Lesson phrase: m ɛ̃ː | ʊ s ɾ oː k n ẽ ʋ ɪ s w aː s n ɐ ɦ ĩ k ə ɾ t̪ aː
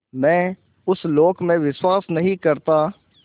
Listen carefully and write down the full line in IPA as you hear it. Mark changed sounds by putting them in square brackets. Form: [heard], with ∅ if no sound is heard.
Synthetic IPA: m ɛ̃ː | ʊ s [l] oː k [m] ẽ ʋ ɪ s w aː s n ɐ ɦ ĩ k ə ɾ t̪ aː